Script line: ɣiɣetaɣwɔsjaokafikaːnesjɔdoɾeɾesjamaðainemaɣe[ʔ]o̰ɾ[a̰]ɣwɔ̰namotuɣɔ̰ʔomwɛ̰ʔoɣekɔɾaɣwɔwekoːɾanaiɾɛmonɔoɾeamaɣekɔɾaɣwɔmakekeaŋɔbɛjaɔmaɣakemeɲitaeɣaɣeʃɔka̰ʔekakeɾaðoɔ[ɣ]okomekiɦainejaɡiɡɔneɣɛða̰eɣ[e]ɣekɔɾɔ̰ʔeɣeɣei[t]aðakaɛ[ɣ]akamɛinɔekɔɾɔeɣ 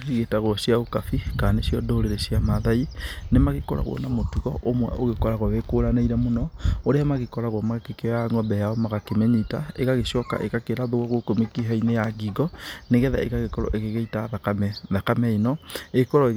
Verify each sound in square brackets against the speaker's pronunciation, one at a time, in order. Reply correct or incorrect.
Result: incorrect, correct, correct, incorrect, correct, incorrect

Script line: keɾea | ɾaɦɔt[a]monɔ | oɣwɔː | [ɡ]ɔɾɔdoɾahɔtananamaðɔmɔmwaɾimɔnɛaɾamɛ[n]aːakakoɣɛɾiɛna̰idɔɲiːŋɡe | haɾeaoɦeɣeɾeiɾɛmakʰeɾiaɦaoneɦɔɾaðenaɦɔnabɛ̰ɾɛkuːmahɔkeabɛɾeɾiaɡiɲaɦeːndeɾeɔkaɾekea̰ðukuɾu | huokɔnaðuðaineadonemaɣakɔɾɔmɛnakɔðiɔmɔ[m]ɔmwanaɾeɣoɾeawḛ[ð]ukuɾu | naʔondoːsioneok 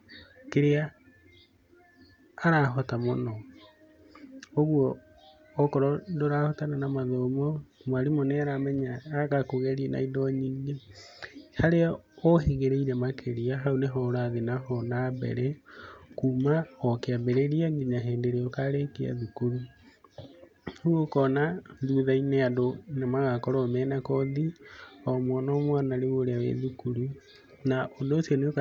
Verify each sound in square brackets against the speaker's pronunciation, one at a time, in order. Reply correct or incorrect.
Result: correct, incorrect, incorrect, incorrect, correct

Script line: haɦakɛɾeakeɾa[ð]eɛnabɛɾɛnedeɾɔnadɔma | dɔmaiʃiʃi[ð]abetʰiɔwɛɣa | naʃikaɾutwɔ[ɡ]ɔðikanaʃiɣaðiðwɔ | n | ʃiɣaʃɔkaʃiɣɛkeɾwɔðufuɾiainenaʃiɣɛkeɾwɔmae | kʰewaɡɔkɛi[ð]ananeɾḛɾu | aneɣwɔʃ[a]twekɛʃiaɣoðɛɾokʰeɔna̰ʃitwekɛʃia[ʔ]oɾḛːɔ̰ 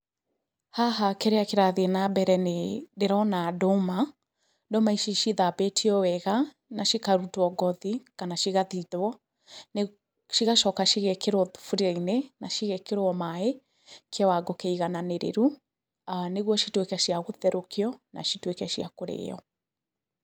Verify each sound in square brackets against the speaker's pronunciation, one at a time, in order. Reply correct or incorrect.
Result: correct, correct, correct, incorrect, incorrect, incorrect

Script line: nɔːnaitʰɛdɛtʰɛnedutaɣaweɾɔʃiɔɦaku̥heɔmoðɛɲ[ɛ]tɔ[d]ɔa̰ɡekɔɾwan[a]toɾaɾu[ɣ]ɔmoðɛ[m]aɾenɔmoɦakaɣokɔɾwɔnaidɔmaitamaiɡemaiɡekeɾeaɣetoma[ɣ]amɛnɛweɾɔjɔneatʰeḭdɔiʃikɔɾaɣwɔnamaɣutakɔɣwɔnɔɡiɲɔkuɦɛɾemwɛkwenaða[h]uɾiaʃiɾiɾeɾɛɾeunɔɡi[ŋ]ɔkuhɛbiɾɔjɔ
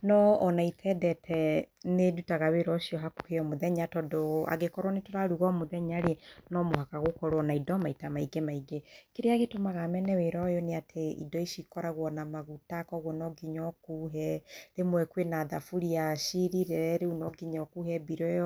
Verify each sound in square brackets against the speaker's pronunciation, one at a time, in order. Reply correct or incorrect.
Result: incorrect, correct, incorrect, correct, incorrect, correct, incorrect, incorrect

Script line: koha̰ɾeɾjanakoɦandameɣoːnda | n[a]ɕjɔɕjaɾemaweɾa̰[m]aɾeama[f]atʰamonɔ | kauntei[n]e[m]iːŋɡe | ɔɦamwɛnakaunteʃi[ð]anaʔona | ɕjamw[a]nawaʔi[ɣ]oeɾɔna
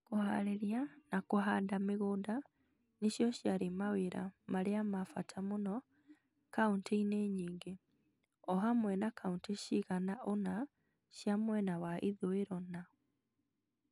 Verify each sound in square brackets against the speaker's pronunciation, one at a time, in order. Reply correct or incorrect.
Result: incorrect, correct, correct, correct, incorrect, incorrect, incorrect, incorrect

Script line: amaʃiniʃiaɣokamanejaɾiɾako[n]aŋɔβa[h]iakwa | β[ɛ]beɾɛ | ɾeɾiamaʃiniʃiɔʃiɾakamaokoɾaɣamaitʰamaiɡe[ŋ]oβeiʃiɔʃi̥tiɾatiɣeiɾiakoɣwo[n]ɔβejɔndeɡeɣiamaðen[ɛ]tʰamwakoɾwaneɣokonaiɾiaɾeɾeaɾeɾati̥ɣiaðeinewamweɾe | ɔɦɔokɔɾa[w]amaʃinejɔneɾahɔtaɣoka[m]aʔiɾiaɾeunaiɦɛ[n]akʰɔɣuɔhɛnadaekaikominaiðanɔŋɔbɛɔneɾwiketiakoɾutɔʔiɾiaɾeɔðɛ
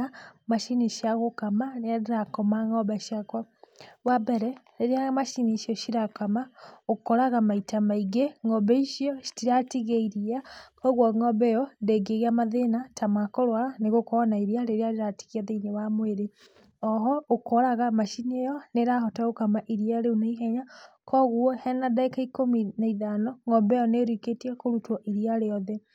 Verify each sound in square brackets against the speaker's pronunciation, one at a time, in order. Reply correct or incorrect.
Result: incorrect, incorrect, incorrect, correct, incorrect, incorrect, incorrect, correct, incorrect

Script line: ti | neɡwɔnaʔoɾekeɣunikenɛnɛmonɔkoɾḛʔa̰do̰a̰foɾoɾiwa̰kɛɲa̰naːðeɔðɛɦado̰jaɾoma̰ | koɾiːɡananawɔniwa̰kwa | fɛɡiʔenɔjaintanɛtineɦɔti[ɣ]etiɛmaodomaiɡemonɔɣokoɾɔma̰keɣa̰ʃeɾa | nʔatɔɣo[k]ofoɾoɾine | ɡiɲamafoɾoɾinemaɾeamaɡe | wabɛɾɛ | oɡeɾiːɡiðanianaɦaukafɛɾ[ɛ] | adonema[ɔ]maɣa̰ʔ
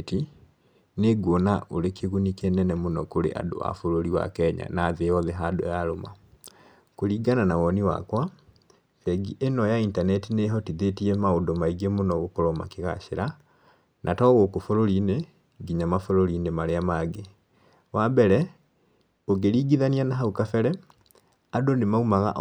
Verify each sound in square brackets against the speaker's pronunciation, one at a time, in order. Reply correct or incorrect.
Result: incorrect, correct, correct, incorrect

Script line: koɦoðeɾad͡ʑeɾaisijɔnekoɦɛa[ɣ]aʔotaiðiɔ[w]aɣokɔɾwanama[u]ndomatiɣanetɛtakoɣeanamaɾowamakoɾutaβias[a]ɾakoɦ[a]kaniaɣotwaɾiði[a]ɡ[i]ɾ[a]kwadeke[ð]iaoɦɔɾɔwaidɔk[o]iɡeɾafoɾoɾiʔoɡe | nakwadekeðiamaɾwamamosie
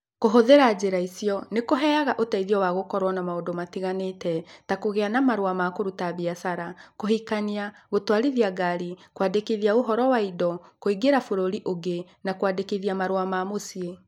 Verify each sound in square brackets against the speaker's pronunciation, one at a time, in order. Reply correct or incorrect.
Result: correct, correct, incorrect, correct, incorrect, correct, incorrect, incorrect, correct, correct

